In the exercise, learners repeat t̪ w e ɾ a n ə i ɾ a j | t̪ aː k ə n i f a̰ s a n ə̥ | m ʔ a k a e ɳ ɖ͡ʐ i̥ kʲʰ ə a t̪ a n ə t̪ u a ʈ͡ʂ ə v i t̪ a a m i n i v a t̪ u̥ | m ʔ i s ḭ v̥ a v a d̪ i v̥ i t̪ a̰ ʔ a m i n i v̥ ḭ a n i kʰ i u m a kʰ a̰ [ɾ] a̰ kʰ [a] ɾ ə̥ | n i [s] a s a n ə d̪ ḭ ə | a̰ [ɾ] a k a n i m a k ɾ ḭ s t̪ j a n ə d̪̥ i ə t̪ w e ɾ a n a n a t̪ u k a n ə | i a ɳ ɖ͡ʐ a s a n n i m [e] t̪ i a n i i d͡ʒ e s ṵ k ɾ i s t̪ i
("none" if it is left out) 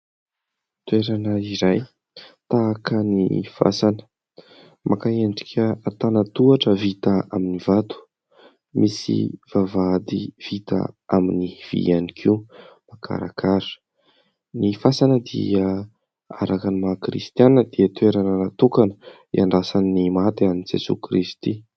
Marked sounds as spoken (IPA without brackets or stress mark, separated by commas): ɾ, a, f, ɾ, a